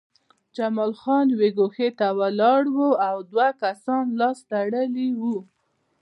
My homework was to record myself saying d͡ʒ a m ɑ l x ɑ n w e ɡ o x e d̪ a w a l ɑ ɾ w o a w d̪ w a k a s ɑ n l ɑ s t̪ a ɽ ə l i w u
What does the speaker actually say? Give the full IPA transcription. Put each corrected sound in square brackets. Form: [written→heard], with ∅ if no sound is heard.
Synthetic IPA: d͡ʒ a m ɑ l x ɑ n w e ɡ o x e [d̪→t̪] a w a l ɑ [ɾ→ɽ] w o a w d̪ w a k a s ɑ n l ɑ s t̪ a ɽ ə l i w u